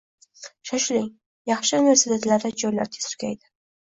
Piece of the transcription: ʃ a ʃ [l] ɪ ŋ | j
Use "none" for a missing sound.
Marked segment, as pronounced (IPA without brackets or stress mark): l